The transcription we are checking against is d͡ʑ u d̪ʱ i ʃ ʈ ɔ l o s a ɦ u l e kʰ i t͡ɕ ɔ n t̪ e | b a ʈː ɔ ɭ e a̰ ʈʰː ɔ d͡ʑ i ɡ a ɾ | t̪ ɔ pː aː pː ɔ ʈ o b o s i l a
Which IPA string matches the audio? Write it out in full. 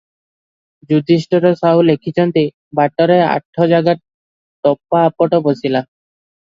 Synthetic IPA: d͡ʑ u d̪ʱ i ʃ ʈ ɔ ɾ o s a ɦ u l e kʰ i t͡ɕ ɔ n t̪ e | b a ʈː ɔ ɾ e a̰ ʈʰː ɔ d͡ʑ a ɡ a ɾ | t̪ ɔ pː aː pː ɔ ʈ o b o s i l a